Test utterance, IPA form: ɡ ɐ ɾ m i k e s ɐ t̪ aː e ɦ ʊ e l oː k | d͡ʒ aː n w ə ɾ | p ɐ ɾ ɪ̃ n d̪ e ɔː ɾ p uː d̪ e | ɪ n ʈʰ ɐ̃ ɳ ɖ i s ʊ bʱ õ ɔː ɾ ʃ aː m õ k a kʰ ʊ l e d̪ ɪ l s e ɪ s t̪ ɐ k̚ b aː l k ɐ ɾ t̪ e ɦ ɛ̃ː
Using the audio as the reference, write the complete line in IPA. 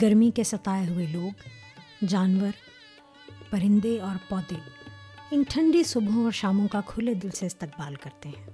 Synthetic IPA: ɡ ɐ ɾ m i k e s ɐ t̪ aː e ɦ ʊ e l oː ɡ | d͡ʒ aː n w ə ɾ | p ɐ ɾ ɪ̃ n d̪ e ɔː ɾ p ɔː d̪ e | ɪ n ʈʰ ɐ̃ ɳ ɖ i s ʊ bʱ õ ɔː ɾ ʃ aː m õ k a kʰ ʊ l e d̪ ɪ l s e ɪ s t̪ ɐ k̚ b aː l k ɐ ɾ t̪ e ɦ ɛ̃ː